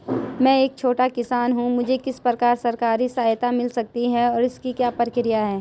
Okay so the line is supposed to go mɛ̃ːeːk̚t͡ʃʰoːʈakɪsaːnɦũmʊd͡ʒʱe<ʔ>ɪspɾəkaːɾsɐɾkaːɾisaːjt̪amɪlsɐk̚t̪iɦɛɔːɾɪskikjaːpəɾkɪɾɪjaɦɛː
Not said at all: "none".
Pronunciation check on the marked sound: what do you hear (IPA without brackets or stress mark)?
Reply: k